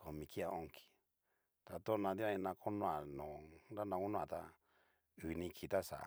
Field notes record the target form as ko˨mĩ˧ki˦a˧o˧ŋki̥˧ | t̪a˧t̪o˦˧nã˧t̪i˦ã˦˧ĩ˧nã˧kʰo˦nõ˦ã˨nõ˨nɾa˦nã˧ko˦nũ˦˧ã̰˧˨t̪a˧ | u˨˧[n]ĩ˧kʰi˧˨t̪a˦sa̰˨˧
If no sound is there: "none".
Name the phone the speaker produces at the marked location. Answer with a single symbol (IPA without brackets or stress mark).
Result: n